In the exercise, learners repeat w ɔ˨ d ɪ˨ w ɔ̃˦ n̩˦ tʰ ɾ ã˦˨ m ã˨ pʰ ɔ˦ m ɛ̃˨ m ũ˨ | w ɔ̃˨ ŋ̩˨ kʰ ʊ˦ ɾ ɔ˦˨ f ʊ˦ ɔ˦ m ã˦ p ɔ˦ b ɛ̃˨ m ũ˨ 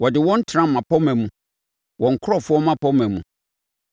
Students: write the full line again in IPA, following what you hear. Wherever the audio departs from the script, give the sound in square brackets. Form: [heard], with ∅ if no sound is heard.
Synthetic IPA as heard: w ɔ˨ d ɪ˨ w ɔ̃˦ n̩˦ tʰ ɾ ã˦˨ m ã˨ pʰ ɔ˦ m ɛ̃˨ m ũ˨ | w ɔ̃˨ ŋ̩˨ kʰ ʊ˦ ɾ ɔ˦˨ f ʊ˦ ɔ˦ m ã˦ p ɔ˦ [m] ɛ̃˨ m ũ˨

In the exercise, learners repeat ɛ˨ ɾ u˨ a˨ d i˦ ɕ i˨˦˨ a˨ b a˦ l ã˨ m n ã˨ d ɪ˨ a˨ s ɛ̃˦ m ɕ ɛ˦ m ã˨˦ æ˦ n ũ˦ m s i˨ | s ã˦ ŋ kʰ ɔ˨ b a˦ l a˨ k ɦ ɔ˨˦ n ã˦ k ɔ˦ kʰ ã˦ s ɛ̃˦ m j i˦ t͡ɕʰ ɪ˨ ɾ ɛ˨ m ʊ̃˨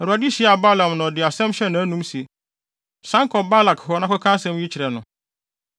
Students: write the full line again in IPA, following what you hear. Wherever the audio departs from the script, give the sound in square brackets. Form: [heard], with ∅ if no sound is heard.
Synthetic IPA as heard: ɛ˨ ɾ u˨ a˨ d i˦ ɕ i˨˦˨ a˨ b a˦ l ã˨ m n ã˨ d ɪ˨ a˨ s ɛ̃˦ m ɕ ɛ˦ [n] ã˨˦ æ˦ n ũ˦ m s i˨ | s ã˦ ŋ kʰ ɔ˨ b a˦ l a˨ k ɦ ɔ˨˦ n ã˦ k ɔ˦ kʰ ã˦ s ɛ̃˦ m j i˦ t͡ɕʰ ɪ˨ ɾ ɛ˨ [n] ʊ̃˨

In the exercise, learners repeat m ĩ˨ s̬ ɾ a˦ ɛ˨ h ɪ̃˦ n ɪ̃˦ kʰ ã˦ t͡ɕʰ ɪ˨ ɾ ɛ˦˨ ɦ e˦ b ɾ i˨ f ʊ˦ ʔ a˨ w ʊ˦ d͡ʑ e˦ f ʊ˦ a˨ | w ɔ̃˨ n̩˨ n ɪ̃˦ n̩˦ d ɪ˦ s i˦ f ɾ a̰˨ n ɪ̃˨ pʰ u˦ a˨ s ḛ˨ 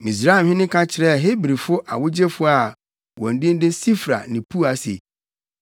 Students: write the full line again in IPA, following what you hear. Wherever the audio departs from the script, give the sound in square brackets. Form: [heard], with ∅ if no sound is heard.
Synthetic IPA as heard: m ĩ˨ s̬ ɾ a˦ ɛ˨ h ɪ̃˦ n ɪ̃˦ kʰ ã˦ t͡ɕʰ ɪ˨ ɾ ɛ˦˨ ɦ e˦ b ɾ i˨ f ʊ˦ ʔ a˨ w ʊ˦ d͡ʑ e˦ f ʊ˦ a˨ | w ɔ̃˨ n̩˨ [d] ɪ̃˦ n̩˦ d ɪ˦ s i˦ f ɾ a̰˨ n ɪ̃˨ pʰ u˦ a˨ s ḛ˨

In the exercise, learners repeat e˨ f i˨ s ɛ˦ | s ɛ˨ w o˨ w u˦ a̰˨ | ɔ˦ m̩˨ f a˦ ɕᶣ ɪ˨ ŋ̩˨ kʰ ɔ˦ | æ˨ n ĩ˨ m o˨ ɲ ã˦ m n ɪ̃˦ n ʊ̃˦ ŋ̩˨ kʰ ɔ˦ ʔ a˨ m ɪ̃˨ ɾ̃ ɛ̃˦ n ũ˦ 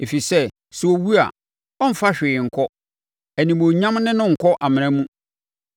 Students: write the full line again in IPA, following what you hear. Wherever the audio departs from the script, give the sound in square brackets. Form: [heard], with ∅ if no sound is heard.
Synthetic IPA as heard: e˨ f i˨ s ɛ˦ | s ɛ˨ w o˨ w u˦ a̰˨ | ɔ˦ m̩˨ f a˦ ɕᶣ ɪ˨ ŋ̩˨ kʰ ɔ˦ | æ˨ n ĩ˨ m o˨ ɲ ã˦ m n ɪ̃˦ n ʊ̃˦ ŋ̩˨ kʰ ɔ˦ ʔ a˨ m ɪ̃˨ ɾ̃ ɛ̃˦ [m] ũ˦

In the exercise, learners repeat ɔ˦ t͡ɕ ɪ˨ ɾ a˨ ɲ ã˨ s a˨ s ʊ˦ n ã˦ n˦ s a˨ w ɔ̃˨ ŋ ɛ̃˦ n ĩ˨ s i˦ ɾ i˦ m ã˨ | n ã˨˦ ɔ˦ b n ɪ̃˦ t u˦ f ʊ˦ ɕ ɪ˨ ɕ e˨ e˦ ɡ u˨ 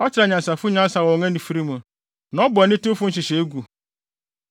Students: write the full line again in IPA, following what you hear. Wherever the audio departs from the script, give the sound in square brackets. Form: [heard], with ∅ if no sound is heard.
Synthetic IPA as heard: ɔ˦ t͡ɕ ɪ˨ ɾ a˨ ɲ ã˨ s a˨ [f] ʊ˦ [ɲ] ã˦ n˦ s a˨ w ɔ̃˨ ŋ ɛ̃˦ n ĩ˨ [f] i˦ ɾ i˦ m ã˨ | n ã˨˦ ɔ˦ b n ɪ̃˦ t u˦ f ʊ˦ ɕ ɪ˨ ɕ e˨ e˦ ɡ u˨

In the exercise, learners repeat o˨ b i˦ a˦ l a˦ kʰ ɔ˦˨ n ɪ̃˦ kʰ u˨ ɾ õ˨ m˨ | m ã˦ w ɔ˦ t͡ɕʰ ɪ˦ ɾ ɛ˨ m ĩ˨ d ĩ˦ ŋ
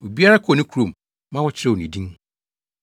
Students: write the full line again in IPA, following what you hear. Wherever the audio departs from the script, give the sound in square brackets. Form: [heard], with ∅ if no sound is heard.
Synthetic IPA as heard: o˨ b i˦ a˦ [ɾ] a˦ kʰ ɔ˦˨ n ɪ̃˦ kʰ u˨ ɾ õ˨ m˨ | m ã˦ w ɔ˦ t͡ɕʰ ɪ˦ ɾ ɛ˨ [n] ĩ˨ d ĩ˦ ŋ

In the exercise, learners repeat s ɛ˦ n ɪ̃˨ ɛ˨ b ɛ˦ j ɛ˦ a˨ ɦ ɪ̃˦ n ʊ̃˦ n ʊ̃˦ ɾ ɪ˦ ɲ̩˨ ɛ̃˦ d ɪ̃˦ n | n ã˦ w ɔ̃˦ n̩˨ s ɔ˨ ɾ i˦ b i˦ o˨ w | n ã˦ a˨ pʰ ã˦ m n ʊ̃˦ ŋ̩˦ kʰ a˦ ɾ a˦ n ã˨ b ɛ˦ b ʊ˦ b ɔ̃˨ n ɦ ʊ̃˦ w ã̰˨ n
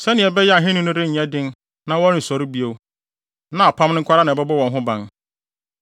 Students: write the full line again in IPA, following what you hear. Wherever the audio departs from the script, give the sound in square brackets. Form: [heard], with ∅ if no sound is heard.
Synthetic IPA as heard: s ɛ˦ n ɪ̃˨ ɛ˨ b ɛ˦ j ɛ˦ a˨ ɦ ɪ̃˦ n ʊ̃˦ n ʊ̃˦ ɾ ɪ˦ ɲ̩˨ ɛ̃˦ d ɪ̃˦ n | n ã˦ w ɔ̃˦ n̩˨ s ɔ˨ ɾ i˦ b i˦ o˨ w | n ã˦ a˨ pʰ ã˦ m n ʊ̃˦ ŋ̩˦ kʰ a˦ ɾ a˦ n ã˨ b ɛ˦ b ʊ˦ [w] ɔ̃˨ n ɦ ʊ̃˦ [b] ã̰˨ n

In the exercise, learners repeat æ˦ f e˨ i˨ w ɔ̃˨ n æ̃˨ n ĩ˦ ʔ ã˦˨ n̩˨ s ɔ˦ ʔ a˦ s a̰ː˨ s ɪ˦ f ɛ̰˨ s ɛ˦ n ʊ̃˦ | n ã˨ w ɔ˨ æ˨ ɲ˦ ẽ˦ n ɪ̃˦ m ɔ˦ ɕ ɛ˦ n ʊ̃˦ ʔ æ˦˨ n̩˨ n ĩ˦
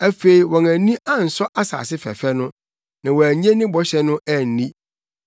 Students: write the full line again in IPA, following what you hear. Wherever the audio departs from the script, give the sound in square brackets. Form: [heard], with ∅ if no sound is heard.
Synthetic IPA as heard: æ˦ f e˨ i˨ w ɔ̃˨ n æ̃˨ n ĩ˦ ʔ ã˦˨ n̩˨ s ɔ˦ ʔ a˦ s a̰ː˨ s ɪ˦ f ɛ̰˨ [f] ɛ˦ n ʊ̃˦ | n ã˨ w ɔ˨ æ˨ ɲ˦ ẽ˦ n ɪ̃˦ [b] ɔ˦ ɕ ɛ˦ n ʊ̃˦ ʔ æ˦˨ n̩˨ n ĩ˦

